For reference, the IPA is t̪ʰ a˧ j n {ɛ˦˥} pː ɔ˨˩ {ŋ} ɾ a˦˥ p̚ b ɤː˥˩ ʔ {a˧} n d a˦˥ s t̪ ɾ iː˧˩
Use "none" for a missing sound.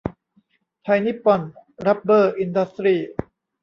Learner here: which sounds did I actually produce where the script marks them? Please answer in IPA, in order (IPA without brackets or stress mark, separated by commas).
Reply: i˦˥, n, i˧